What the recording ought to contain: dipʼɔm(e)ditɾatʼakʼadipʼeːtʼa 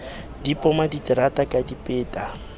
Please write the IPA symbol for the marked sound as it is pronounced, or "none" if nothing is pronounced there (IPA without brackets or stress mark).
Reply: a